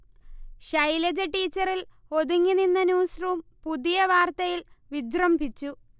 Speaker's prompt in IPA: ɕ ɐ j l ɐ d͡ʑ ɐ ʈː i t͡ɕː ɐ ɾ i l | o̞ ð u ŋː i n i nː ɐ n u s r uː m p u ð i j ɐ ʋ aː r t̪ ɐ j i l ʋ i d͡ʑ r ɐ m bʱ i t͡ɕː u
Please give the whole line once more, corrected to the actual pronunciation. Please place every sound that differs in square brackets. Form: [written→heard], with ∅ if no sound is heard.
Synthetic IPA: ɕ ɐ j l ɐ d͡ʑ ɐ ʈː [i→iː] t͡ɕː ɐ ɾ i l | o̞ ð u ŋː i n i nː ɐ n [u→uː] s r uː m p u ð i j ɐ ʋ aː r t̪ ɐ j i l ʋ i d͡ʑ r ɐ m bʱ i t͡ɕː u

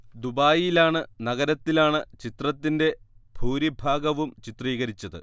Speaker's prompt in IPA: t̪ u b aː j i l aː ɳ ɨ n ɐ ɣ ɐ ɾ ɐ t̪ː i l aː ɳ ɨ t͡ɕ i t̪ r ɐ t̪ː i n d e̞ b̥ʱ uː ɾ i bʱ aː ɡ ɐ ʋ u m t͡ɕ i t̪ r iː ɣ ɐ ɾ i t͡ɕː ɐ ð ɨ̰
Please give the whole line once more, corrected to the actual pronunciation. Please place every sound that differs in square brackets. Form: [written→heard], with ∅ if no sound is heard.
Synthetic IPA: [t̪→d̪] u b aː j i l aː ɳ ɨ n ɐ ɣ ɐ ɾ ɐ t̪ː i l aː ɳ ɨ t͡ɕ i t̪ r ɐ t̪ː i n d e̞ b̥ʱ uː ɾ i bʱ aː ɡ ɐ ʋ u m t͡ɕ i t̪ r iː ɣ ɐ ɾ i t͡ɕː ɐ ð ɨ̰

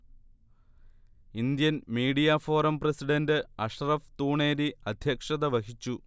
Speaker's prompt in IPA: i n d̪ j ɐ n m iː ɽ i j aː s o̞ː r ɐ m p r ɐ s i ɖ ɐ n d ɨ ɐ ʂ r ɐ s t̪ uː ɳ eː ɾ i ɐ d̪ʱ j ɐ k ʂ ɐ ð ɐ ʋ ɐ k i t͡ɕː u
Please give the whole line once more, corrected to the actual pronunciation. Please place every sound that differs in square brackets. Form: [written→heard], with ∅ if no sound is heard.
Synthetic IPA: i n d̪ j ɐ n m iː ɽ i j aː [s→f] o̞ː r ɐ m p r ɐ s i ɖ ɐ n d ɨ ɐ ʂ r ɐ [s→f] t̪ uː ɳ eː ɾ i ɐ d̪ʱ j ɐ k ʂ ɐ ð ɐ ʋ ɐ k i t͡ɕː u

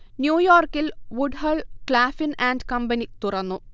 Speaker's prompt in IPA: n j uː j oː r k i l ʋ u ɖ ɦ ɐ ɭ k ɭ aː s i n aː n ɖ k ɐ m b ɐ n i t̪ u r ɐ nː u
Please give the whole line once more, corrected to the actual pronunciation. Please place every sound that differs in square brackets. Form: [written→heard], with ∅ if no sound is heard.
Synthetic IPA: n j uː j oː r k i l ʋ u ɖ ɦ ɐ ɭ k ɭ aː [s→f] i n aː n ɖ k ɐ m b ɐ n i t̪ u r ɐ nː u

